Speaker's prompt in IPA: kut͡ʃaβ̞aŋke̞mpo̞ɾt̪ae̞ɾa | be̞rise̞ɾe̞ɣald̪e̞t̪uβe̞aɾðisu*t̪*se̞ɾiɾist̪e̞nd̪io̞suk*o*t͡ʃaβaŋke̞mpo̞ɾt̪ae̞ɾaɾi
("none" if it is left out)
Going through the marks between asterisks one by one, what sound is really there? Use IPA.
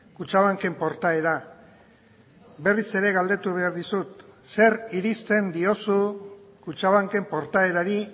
t̪, u

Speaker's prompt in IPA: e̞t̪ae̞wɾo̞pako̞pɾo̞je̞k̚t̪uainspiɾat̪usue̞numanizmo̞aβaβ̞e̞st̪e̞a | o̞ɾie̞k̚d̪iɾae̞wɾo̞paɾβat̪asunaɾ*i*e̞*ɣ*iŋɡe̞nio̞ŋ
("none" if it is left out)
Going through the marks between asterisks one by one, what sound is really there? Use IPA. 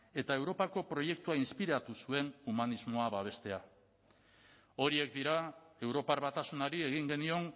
i, ɣ

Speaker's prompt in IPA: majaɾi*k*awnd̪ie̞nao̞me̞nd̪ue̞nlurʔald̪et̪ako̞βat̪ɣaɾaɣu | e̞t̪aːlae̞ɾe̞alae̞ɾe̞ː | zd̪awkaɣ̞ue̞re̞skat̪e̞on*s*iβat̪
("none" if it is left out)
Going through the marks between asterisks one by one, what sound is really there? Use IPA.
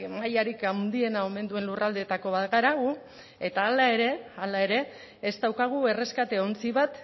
k, t͡s

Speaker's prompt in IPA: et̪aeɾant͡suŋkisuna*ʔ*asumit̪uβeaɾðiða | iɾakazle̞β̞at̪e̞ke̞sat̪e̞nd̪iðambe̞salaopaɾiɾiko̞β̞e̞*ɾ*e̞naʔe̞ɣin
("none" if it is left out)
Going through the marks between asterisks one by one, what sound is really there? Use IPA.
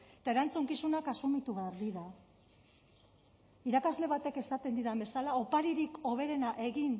k, ɾ

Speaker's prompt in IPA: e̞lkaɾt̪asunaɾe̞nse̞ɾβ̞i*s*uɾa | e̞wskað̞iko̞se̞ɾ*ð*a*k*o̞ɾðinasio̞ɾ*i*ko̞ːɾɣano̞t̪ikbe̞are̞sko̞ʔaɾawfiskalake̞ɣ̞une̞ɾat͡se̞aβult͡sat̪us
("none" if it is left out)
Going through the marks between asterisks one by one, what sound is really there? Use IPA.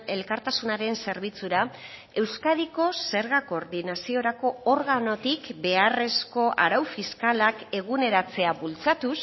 t͡s, ɣ, k, a

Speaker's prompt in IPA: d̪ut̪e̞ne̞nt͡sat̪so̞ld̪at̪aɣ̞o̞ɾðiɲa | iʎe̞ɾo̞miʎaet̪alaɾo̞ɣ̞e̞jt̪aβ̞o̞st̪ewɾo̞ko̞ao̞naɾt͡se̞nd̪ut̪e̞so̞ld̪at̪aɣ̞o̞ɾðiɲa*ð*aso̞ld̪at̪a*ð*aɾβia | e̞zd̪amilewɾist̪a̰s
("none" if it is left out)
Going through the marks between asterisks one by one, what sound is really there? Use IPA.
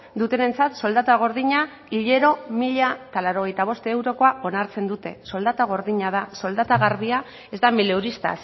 ð, ɣ

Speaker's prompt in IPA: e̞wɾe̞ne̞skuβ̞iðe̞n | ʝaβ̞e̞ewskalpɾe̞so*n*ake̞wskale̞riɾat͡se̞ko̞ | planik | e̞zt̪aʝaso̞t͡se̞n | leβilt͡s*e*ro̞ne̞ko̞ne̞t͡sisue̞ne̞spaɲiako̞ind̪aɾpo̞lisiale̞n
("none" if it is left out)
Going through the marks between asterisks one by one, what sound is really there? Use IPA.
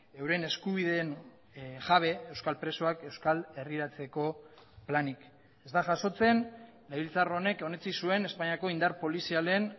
none, a

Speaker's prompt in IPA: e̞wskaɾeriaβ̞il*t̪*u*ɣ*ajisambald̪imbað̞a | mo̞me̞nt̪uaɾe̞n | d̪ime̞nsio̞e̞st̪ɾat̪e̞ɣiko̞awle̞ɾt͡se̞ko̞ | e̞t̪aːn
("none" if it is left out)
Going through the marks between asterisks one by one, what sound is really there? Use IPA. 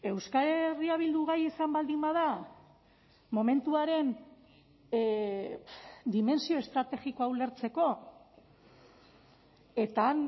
d̪, ɣ

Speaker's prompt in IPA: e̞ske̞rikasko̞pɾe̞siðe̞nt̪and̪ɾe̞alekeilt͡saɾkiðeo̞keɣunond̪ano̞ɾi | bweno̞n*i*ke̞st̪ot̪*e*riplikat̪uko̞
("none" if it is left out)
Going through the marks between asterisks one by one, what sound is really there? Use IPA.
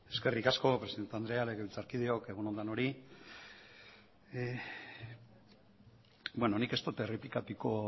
i, e

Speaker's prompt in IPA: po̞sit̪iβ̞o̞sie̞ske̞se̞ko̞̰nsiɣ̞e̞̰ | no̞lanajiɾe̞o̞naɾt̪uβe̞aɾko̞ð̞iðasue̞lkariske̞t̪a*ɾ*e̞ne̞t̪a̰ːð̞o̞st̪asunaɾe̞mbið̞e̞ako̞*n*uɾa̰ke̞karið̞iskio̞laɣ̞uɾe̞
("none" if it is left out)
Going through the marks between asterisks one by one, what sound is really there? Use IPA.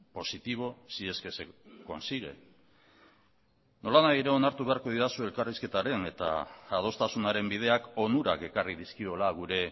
ɾ, n

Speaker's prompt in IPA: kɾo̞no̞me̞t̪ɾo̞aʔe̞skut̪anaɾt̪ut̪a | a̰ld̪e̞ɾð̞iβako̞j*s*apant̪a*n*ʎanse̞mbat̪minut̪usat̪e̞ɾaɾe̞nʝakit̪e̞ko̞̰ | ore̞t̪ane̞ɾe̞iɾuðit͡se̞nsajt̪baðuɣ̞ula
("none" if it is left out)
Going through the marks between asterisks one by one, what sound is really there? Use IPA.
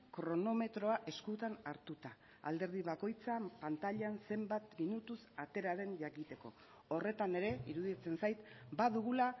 t͡s, none

